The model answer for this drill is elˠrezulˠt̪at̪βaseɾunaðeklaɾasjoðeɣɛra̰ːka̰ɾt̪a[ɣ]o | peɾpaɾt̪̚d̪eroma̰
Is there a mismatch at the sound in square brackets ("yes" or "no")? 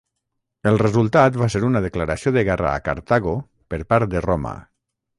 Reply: no